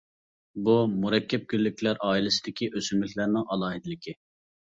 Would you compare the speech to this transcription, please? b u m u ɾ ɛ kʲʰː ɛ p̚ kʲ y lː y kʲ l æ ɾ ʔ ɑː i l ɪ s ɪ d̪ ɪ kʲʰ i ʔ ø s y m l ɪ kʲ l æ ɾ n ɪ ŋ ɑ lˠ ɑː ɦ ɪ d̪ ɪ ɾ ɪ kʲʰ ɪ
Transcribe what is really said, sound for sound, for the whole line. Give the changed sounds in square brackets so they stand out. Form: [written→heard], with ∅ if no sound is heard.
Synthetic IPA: b u m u ɾ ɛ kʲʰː ɛ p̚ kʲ y lː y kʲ l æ ɾ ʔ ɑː i l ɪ s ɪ d̪ ɪ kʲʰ i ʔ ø s y m l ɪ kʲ l æ ɾ n ɪ ŋ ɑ lˠ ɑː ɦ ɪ d̪ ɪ [ɾ→l] ɪ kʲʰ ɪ